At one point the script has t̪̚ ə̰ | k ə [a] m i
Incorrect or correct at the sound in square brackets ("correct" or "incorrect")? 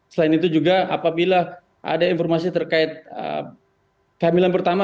correct